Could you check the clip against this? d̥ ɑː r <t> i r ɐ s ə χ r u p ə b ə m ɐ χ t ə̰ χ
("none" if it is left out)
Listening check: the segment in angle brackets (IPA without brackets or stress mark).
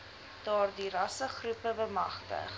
d